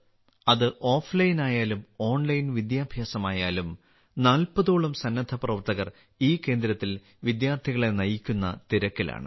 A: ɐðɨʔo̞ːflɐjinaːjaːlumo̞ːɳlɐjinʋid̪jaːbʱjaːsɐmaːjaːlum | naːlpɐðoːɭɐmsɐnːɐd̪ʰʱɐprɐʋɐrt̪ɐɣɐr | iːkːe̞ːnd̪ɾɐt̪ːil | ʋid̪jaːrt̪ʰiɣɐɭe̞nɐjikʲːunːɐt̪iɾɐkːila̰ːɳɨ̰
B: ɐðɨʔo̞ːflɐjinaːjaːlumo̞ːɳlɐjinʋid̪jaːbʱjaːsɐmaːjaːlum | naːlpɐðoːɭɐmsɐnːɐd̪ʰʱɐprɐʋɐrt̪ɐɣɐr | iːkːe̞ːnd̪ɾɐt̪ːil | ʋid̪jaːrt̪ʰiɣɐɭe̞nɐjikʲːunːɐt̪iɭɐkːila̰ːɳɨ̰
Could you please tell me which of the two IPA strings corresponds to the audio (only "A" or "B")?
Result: A